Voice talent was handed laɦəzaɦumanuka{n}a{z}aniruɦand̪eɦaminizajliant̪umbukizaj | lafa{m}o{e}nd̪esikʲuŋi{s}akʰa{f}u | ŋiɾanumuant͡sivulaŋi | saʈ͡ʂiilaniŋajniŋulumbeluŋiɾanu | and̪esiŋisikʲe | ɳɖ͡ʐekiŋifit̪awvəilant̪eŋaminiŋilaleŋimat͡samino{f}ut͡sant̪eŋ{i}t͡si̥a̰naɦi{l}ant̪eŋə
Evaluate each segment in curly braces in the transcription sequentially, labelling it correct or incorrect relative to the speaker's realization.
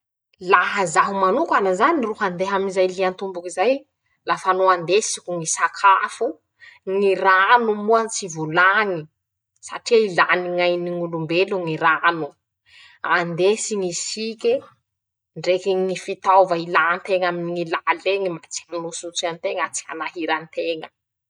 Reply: correct, correct, incorrect, incorrect, correct, correct, incorrect, incorrect, incorrect

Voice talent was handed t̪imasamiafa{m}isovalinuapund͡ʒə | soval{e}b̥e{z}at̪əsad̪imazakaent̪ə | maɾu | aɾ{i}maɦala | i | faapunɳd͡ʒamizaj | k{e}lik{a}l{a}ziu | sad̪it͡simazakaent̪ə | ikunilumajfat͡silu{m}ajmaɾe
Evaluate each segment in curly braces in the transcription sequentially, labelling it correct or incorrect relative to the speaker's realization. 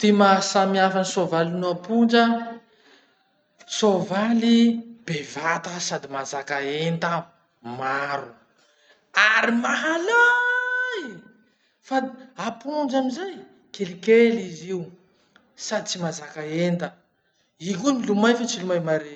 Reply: incorrect, incorrect, incorrect, correct, correct, incorrect, incorrect, correct

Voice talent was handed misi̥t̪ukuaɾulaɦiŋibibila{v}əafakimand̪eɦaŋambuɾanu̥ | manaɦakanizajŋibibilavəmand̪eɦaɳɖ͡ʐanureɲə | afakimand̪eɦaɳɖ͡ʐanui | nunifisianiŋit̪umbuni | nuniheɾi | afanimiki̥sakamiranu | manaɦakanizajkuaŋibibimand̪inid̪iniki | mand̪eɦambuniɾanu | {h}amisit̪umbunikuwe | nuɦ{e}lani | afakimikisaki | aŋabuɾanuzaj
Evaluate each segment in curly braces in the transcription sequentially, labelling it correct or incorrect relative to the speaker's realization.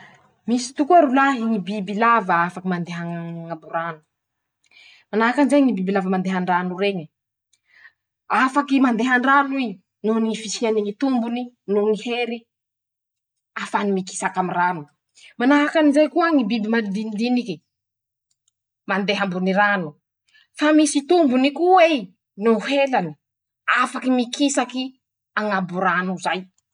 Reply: correct, incorrect, correct

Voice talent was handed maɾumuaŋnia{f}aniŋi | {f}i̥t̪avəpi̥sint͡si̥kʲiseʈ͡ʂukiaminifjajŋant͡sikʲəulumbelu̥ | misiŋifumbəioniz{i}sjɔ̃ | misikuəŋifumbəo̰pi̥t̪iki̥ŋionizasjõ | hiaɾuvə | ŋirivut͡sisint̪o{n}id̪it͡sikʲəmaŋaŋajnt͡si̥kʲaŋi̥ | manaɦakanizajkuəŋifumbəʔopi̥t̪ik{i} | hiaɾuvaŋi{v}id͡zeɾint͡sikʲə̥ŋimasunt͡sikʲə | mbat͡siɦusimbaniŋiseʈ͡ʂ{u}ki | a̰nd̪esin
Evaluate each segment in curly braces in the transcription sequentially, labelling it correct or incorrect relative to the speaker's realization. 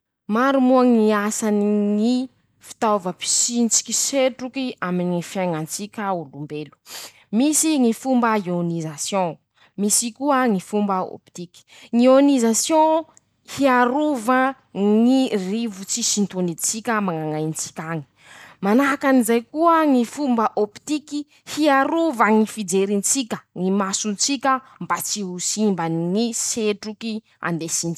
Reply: incorrect, correct, incorrect, correct, correct, incorrect, correct

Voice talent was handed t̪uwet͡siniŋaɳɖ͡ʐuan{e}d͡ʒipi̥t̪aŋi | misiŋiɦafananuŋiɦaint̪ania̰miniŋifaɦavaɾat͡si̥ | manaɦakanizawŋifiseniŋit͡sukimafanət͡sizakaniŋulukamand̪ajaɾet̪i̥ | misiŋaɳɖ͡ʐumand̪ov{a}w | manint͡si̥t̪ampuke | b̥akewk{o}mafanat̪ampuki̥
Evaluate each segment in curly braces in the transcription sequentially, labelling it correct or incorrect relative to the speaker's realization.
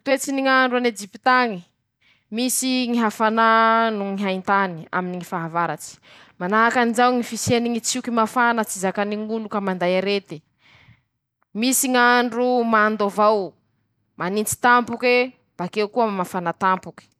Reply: correct, correct, incorrect

